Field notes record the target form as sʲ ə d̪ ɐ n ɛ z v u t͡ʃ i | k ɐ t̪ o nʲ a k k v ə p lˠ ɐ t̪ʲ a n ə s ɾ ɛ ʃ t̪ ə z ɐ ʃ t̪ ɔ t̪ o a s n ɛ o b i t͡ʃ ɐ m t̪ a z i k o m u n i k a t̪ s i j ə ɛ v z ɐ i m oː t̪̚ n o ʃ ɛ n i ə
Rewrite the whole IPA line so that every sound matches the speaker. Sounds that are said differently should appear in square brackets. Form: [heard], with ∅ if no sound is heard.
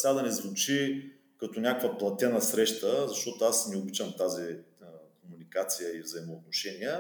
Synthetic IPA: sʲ [a] d̪ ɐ n ɛ z v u t͡ʃ i | k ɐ t̪ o nʲ a k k v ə p lˠ ɐ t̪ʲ [ɛ] n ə s ɾ ɛ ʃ t̪ ə z ɐ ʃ t̪ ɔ t̪ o a s n ɛ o b i t͡ʃ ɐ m t̪ a z i k o m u n i k a t̪ s i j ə [i] v z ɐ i m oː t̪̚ n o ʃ ɛ n i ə